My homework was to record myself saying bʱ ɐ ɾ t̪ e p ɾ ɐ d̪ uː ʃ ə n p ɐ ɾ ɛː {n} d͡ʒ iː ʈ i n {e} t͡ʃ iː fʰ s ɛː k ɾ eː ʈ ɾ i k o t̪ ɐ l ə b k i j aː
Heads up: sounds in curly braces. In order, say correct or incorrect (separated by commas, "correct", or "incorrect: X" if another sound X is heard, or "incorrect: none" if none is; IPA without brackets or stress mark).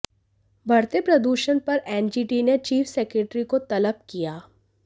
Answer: correct, correct